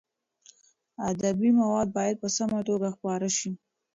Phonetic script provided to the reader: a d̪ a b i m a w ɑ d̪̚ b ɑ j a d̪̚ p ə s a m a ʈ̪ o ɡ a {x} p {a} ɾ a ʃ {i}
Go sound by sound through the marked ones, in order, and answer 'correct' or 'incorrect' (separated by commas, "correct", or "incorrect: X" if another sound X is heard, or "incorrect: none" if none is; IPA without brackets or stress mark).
correct, incorrect: ɑ, correct